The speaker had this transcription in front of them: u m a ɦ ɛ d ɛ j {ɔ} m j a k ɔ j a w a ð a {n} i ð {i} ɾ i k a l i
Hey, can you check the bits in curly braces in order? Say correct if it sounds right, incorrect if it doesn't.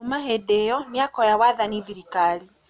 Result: correct, correct, correct

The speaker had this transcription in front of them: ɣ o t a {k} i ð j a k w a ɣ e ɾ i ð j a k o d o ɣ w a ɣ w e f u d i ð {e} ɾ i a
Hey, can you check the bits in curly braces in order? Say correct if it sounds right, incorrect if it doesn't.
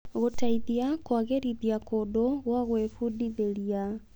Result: incorrect: none, correct

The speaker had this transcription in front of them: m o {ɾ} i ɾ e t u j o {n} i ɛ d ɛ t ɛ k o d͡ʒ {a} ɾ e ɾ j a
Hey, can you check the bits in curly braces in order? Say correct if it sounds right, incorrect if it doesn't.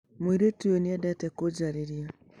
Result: incorrect: none, correct, correct

